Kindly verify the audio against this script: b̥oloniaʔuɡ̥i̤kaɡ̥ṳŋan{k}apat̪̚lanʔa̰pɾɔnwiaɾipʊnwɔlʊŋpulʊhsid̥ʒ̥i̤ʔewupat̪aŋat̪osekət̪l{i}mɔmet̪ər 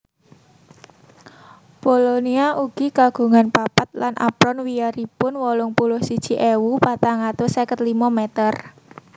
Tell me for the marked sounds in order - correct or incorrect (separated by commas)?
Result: incorrect, correct